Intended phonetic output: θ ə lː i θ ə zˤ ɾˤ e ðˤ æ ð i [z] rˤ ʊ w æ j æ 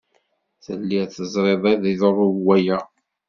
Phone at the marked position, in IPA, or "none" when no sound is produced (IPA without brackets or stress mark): ð